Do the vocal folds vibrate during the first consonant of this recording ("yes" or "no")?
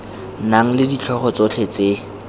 yes